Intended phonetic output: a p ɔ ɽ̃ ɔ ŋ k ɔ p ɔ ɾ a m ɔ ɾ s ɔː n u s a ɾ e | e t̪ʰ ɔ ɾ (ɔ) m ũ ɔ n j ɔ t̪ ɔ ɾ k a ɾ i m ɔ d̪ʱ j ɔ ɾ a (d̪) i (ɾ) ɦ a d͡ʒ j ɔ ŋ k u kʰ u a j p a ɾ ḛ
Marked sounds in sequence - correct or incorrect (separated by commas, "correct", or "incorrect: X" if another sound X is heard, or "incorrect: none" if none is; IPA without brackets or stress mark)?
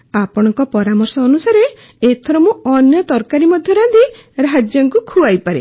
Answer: correct, correct, correct